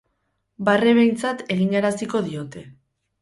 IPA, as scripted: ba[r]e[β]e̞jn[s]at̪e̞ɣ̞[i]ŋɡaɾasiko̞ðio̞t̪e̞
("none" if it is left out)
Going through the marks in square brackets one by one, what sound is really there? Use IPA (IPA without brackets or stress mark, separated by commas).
r, β, t͡s, i